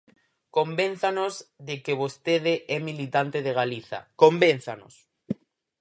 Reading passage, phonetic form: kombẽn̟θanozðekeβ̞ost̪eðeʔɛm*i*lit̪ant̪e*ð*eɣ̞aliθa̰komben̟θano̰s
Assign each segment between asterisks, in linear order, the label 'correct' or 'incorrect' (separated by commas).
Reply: correct, correct